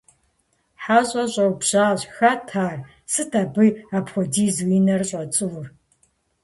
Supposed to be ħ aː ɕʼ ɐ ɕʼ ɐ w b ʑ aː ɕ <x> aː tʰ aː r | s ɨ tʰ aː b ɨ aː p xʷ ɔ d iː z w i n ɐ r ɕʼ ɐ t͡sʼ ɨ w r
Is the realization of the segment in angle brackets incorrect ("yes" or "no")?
no